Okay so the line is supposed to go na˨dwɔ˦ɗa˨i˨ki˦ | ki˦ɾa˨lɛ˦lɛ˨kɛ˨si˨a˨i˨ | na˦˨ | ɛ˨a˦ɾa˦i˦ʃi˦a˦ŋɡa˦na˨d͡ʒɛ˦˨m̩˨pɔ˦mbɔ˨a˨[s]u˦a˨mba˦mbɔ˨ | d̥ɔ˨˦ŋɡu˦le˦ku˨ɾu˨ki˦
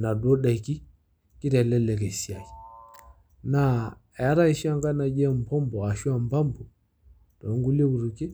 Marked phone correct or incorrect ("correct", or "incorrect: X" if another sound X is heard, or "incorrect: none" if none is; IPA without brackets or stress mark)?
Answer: incorrect: ʃ